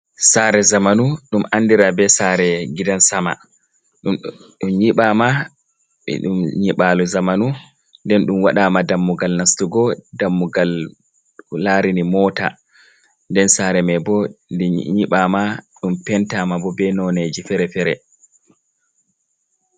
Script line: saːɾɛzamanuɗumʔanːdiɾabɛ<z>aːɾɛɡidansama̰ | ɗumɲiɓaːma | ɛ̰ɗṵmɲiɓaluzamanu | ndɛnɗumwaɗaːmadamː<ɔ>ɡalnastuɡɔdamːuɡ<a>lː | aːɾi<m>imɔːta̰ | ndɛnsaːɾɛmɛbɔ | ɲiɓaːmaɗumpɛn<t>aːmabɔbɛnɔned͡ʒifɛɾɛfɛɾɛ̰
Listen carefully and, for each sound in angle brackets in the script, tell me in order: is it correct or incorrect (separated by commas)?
incorrect, incorrect, correct, incorrect, correct